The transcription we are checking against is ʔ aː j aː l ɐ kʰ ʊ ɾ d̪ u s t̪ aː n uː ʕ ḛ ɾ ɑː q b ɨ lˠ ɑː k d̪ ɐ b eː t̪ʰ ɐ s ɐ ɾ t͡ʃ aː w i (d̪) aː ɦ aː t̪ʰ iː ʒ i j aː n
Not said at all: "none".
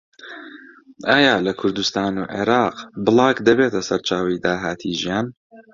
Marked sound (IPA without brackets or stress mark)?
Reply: d̪